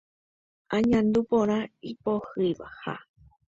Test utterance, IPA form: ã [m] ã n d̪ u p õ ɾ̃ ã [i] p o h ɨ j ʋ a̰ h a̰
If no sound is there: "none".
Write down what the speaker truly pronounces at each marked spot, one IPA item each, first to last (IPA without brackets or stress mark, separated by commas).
ɲ, i